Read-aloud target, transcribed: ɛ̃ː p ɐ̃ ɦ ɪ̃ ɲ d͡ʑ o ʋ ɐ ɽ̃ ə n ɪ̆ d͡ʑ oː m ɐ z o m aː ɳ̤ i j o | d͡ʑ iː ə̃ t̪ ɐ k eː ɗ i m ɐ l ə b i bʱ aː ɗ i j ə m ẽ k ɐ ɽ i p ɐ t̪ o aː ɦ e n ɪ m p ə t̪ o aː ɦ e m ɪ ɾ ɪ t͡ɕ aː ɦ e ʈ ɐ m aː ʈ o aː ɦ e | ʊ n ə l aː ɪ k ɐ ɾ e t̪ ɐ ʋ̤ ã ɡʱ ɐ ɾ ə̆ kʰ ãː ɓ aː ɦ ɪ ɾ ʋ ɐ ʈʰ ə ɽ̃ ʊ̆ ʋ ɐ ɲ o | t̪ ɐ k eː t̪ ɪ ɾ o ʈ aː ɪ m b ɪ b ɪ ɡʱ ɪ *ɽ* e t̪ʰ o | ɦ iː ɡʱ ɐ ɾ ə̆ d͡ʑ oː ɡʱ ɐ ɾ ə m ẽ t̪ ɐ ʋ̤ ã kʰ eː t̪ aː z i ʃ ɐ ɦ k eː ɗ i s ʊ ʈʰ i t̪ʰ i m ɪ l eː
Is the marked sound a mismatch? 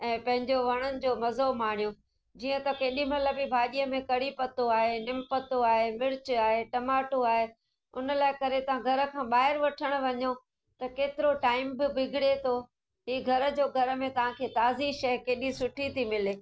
no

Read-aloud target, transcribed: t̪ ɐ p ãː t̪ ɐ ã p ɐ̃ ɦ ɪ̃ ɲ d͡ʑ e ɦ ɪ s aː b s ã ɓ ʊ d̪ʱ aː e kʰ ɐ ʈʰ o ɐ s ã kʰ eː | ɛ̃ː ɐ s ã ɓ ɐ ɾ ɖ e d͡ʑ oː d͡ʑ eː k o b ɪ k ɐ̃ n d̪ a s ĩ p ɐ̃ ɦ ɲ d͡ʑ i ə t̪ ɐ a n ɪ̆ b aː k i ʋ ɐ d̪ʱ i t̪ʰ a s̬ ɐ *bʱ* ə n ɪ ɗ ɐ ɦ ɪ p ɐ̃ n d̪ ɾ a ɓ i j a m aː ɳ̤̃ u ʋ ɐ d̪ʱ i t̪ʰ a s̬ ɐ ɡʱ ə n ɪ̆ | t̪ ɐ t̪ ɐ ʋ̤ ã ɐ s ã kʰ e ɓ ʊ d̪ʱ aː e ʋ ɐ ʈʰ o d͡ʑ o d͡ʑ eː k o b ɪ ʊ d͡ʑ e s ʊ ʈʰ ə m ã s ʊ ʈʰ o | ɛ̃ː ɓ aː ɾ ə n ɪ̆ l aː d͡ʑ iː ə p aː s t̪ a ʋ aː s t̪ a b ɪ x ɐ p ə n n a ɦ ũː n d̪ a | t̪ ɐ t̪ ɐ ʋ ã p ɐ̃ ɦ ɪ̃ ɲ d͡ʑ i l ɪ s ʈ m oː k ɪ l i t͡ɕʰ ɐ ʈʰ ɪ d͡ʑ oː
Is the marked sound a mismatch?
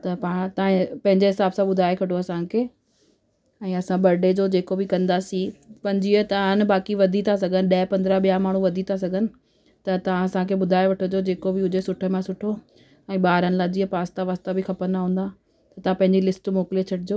yes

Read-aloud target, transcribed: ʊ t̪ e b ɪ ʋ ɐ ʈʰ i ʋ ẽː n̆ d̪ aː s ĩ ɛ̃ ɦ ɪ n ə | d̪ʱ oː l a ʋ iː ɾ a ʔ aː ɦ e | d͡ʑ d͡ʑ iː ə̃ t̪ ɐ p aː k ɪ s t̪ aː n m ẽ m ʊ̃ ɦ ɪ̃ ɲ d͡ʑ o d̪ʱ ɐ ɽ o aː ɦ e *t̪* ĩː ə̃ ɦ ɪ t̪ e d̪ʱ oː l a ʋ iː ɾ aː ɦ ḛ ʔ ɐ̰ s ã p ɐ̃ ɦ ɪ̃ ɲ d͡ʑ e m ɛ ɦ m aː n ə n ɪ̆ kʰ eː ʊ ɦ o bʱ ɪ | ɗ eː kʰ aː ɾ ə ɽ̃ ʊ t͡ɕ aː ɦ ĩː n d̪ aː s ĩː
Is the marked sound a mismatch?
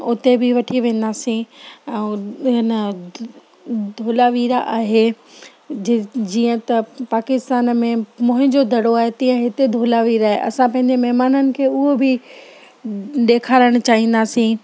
no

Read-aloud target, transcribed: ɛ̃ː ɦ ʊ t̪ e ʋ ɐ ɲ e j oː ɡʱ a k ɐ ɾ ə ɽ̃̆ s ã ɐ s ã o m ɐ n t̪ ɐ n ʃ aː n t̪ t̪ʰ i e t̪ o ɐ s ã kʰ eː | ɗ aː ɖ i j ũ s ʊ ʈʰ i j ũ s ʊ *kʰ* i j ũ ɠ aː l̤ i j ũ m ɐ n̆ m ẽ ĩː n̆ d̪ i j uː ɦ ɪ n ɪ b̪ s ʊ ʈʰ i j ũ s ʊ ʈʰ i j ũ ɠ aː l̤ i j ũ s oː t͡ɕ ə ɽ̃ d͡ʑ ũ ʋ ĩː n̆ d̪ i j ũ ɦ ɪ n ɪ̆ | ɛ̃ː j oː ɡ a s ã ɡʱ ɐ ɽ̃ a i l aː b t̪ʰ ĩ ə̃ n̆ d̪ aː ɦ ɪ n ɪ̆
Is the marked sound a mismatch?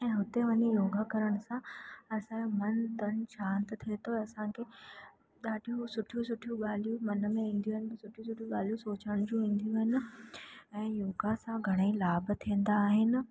yes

